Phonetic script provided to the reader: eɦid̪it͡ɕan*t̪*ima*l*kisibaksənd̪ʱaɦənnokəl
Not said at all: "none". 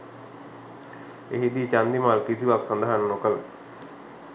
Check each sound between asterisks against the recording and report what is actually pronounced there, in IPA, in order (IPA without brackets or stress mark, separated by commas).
d̪, l